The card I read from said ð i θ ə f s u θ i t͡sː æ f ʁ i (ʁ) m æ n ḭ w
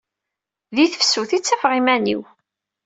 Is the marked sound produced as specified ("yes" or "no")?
no